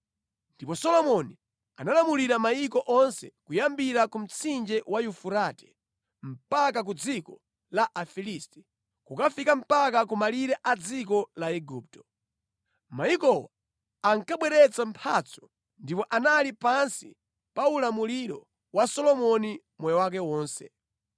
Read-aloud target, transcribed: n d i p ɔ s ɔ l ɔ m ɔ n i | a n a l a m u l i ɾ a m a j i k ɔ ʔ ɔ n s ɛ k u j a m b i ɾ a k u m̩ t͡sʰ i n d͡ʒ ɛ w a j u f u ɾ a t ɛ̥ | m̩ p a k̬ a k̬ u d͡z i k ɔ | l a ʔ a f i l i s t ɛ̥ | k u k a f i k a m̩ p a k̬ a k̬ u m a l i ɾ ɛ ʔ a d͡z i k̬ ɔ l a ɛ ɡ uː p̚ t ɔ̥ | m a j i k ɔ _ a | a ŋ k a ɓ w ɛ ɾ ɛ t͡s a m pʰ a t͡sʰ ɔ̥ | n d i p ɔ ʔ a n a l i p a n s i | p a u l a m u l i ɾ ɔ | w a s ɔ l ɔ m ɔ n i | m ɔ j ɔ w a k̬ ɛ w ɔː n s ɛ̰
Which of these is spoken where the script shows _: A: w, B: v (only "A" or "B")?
A